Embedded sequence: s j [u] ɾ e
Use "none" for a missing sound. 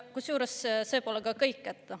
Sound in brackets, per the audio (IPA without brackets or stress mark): uː